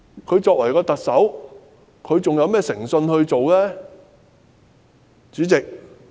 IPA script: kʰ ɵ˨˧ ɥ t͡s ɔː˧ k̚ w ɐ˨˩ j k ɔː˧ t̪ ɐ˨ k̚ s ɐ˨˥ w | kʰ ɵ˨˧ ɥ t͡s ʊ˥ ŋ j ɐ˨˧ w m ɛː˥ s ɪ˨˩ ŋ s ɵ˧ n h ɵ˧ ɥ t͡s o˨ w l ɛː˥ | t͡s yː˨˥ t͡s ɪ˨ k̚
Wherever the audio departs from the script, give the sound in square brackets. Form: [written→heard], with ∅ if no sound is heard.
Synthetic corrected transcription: kʰ ɵ˨˧ ɥ t͡s ɔː˧ k̚ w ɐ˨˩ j k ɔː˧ t̪ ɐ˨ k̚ s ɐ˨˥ w | kʰ ɵ˨˧ ɥ t͡s [ʊ˥→ʊ˨] ŋ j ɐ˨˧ w m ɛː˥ s ɪ˨˩ ŋ s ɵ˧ n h ɵ˧ ɥ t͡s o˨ w l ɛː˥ | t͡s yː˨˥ t͡s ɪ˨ k̚